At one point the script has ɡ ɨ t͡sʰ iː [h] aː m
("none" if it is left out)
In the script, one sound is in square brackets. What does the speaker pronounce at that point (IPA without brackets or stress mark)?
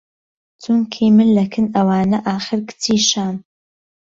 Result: ʃ